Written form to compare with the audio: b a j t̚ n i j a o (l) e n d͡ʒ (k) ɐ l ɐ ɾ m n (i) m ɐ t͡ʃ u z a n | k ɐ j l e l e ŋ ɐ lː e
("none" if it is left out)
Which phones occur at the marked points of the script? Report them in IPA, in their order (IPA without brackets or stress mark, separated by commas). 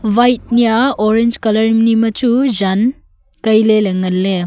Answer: ɾ, k, i